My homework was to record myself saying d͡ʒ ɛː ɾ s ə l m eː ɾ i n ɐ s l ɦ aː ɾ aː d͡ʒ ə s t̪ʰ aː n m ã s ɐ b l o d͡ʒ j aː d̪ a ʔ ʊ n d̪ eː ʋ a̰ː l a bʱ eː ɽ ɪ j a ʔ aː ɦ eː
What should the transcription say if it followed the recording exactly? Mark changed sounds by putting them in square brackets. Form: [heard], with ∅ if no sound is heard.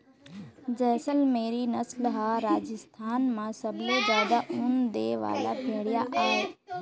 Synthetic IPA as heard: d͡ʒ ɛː [∅] s ə l m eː ɾ i n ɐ s l ɦ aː ɾ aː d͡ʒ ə s t̪ʰ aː n m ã s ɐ b l o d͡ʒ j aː d̪ a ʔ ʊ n d̪ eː ʋ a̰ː l a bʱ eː ɽ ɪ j a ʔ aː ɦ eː